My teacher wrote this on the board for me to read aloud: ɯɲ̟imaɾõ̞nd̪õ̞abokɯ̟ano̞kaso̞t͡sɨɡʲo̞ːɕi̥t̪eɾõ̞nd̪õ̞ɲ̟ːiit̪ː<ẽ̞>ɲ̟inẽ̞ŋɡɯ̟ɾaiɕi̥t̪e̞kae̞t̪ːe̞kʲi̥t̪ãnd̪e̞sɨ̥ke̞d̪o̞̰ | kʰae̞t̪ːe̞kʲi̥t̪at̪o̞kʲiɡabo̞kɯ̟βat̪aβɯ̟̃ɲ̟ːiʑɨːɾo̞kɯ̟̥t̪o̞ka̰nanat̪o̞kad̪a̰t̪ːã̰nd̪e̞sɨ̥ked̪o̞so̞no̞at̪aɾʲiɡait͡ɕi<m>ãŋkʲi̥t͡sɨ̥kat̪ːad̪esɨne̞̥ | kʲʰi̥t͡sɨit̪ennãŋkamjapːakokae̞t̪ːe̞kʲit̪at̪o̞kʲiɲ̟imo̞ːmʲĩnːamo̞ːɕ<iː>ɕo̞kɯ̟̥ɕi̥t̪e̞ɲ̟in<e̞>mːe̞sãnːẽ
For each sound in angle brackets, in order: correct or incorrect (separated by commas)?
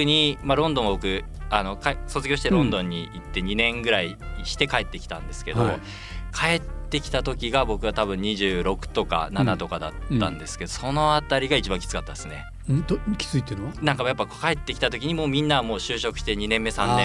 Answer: incorrect, incorrect, incorrect, incorrect